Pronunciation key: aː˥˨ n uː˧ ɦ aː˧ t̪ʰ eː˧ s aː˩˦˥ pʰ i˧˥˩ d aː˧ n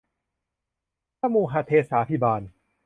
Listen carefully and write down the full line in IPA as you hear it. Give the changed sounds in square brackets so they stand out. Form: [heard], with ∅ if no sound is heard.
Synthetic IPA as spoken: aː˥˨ [m] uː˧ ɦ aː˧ t̪ʰ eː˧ s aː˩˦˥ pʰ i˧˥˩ [b] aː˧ n